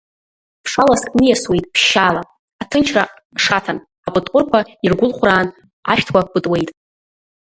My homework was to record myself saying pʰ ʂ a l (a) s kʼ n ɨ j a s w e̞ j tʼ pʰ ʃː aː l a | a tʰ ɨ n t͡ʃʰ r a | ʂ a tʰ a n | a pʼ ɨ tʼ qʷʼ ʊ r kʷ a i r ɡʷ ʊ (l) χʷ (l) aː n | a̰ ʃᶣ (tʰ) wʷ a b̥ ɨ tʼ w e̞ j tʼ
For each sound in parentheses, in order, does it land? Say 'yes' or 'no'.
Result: yes, yes, no, yes

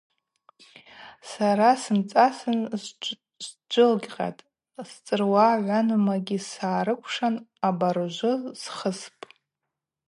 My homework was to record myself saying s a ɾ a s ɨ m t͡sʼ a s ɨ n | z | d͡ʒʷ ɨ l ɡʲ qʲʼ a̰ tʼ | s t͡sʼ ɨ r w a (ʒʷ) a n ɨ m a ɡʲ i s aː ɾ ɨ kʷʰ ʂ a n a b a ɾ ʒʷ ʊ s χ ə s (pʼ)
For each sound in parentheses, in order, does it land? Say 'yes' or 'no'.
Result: no, yes

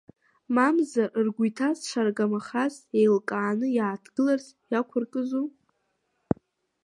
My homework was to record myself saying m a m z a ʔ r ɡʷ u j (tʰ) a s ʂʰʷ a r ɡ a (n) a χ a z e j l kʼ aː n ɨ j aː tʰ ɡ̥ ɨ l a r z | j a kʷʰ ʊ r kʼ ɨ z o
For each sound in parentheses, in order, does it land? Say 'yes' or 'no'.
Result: yes, no

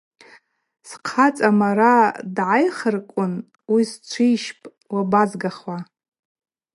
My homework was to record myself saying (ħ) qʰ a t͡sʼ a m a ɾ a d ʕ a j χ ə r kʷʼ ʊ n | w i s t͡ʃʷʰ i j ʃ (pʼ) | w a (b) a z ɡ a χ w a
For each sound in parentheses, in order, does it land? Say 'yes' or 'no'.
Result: no, yes, yes

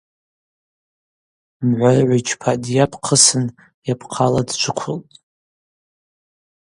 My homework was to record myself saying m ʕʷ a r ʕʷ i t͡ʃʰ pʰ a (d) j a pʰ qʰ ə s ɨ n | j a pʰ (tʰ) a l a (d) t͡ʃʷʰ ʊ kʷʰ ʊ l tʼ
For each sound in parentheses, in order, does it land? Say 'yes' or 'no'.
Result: yes, no, yes

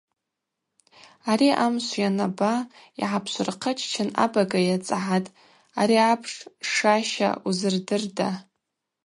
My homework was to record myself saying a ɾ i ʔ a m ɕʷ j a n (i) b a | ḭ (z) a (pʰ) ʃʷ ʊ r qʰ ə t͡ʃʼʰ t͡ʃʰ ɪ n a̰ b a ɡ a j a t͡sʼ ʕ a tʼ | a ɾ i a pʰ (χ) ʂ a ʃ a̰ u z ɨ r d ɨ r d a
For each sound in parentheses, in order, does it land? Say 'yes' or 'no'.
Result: no, no, yes, no

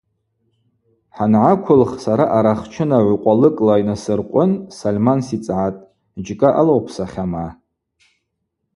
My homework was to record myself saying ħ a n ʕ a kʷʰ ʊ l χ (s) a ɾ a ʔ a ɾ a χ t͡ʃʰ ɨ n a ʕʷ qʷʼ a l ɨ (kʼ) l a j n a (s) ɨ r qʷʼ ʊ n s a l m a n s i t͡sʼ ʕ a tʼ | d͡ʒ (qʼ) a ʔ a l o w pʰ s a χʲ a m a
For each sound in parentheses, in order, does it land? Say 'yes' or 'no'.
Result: yes, yes, yes, no

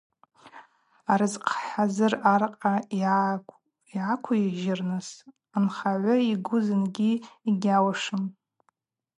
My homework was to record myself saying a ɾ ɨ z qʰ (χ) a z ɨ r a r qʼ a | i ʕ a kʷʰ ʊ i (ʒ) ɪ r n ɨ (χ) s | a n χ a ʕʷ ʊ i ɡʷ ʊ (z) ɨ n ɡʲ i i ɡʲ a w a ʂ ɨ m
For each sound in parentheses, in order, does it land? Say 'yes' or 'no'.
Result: no, yes, no, yes

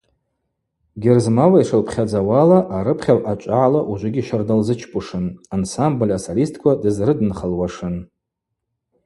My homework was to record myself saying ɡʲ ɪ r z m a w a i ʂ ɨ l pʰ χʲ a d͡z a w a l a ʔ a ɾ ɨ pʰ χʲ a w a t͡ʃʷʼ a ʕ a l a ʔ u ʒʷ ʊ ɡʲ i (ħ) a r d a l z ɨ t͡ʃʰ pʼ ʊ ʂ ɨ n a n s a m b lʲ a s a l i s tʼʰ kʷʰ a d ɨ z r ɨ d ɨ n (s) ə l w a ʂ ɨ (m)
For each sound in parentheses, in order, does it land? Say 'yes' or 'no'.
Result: no, no, no

